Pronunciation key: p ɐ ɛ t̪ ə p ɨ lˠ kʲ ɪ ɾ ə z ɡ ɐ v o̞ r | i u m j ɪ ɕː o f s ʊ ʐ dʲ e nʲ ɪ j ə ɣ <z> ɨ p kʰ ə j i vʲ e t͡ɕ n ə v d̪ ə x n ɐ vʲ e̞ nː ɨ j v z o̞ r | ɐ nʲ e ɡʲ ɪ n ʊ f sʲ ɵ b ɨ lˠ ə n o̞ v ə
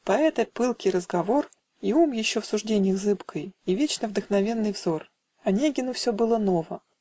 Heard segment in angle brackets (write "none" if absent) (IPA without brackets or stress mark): z